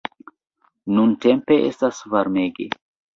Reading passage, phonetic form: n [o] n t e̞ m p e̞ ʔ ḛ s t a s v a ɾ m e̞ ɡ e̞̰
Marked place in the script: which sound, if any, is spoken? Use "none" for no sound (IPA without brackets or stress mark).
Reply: u